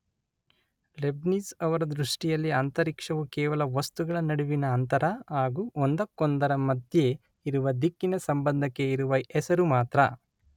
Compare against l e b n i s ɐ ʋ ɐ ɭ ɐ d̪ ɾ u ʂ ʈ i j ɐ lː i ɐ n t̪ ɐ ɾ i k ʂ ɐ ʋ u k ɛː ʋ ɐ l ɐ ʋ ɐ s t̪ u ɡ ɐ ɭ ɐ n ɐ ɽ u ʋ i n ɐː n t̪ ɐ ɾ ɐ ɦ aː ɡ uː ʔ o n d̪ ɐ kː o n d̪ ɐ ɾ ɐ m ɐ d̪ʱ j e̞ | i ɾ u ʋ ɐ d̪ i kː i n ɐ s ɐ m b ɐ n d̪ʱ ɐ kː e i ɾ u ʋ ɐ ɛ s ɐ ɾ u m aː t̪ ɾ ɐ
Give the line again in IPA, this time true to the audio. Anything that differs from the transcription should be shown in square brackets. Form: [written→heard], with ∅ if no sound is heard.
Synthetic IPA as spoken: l e b n i s ɐ ʋ ɐ [ɭ→ɾ] ɐ d̪ ɾ u ʂ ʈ i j ɐ lː i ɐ n t̪ ɐ ɾ i k ʂ ɐ ʋ u k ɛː ʋ ɐ l ɐ ʋ ɐ s t̪ u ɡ ɐ ɭ ɐ n ɐ ɽ u ʋ i n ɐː n t̪ ɐ ɾ ɐ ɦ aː ɡ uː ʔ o n d̪ ɐ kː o n d̪ ɐ ɾ ɐ m ɐ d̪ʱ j e̞ | i ɾ u ʋ ɐ d̪ i kː i n ɐ s ɐ m b ɐ n d̪ʱ ɐ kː e i ɾ u ʋ ɐ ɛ s ɐ ɾ u m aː t̪ ɾ ɐ

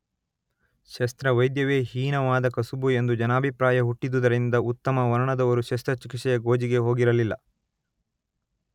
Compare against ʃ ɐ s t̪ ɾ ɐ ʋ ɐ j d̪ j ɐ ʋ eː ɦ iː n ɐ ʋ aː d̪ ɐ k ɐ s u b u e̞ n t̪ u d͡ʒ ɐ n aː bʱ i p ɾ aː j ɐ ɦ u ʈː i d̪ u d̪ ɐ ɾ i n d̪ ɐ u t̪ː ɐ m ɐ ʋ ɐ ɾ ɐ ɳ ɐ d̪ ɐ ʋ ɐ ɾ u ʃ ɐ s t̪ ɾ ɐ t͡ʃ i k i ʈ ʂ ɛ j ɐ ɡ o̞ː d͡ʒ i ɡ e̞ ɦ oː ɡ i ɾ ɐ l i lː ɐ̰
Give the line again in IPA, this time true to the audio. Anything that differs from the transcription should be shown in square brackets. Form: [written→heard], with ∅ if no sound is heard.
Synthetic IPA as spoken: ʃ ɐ s t̪ ɾ ɐ ʋ ɐ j d̪ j ɐ ʋ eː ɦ iː n ɐ ʋ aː d̪ ɐ k ɐ s u b u e̞ n [t̪→d̪] u d͡ʒ ɐ n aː bʱ i p ɾ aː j ɐ ɦ u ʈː i d̪ u d̪ ɐ ɾ i n d̪ ɐ u t̪ː ɐ m ɐ ʋ ɐ ɾ ɐ ɳ ɐ d̪ ɐ ʋ ɐ ɾ u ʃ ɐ s t̪ ɾ ɐ t͡ʃ i k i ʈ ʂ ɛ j ɐ ɡ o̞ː d͡ʒ i ɡ e̞ ɦ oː ɡ i ɾ ɐ l i lː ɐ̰

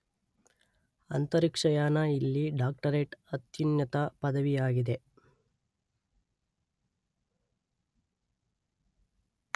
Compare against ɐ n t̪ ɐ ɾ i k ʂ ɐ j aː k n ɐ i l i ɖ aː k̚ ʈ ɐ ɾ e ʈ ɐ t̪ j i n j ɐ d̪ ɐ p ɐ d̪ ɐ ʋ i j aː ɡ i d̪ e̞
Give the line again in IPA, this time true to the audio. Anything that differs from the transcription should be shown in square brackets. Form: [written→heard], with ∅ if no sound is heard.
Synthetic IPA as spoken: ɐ n t̪ ɐ ɾ i k ʂ ɐ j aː [k→∅] n ɐ i [l→lː] i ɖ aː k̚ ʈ ɐ ɾ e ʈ ɐ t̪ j i n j ɐ [d̪→t̪] ɐ p ɐ d̪ ɐ ʋ i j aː ɡ i d̪ e̞

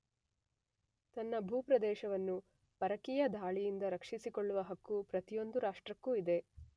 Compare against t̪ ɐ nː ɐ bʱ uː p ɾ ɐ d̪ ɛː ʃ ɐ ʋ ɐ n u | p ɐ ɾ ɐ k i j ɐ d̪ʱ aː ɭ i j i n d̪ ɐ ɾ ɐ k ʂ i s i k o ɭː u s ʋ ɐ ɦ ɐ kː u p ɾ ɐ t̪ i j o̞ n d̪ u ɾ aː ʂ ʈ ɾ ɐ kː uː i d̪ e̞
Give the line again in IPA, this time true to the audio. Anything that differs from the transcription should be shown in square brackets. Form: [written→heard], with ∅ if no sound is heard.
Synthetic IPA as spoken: t̪ ɐ nː ɐ bʱ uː p ɾ ɐ d̪ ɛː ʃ ɐ ʋ ɐ [n→nː] u | p ɐ ɾ ɐ k i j ɐ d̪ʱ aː ɭ i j i n d̪ ɐ ɾ ɐ k ʂ i s i k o ɭː u [s→∅] ʋ ɐ ɦ ɐ kː u p ɾ ɐ t̪ i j o̞ n d̪ u ɾ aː ʂ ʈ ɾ ɐ kː uː i d̪ e̞

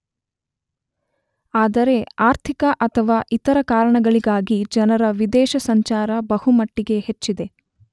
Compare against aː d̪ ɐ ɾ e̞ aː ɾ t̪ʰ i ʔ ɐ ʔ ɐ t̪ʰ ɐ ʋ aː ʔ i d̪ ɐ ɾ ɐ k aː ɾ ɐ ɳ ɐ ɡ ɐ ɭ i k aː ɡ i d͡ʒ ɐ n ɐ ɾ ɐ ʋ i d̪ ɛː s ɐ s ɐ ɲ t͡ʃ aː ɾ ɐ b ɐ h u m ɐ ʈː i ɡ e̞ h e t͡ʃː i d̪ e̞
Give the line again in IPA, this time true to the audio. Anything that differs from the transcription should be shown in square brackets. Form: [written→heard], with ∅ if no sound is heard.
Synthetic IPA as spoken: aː d̪ ɐ ɾ e̞ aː ɾ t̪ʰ i [ʔ→k] ɐ ʔ ɐ t̪ʰ ɐ ʋ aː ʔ i [d̪→t̪] ɐ ɾ ɐ k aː ɾ ɐ ɳ ɐ ɡ ɐ ɭ i [k→ɡ] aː ɡ i d͡ʒ ɐ n ɐ ɾ ɐ ʋ i d̪ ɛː [s→ʃ] ɐ s ɐ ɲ t͡ʃ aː ɾ ɐ b ɐ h u m ɐ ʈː i ɡ e̞ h e t͡ʃː i d̪ e̞

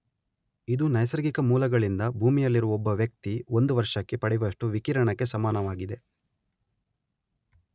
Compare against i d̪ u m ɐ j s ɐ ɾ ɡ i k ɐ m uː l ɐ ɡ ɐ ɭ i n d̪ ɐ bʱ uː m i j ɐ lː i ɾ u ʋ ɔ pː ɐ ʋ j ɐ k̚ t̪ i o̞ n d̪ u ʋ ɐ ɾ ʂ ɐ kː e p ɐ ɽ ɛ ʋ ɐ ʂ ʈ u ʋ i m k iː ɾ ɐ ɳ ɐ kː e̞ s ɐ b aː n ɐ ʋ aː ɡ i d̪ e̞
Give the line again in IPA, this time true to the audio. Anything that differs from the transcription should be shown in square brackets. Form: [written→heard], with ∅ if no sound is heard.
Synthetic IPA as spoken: i d̪ u [m→n] ɐ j s ɐ ɾ ɡ i k ɐ m uː l ɐ ɡ ɐ ɭ i n d̪ ɐ bʱ uː m i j ɐ lː i ɾ u ʋ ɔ [pː→bː] ɐ ʋ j ɐ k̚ t̪ i o̞ n d̪ u ʋ ɐ ɾ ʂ ɐ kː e p ɐ ɽ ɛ ʋ ɐ ʂ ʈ u ʋ i [m→∅] k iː ɾ ɐ ɳ ɐ kː e̞ s ɐ [b→m] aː n ɐ ʋ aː ɡ i d̪ e̞

